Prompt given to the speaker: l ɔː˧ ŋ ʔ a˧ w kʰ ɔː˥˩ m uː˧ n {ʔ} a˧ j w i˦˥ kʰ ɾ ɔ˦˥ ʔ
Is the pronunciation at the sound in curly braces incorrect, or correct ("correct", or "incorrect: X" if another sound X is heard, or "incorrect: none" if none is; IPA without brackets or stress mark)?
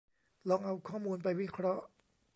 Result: incorrect: p